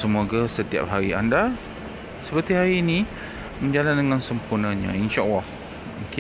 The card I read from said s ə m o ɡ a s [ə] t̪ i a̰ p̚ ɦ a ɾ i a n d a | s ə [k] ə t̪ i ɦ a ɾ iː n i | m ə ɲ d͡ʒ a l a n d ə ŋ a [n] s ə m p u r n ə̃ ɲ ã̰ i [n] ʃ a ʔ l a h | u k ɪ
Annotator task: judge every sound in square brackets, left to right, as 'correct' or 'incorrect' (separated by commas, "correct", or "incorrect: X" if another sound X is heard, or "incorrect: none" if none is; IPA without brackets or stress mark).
correct, incorrect: p, correct, correct